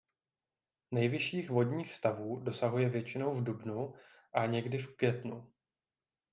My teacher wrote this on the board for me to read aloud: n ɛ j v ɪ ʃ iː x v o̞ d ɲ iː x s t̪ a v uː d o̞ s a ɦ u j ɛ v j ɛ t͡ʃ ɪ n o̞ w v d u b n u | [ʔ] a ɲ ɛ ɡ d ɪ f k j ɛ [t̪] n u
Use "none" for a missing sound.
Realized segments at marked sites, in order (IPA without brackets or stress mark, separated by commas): ʔ, t̪